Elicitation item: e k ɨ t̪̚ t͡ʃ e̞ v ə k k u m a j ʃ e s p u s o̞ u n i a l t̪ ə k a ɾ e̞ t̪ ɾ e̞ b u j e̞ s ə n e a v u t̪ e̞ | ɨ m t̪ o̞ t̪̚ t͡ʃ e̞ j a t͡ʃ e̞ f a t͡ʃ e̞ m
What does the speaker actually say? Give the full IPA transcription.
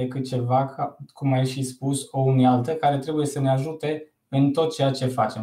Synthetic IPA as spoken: e k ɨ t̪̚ t͡ʃ e̞ v a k k u m a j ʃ i s p u s o̞ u n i a l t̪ ə k a ɾ e̞ t̪ ɾ e̞ b u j e̞ s ə n e a ʒ u t̪ e̞ | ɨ n t̪ o̞ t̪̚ t͡ʃ e̞ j a t͡ʃ e̞ f a t͡ʃ e̞ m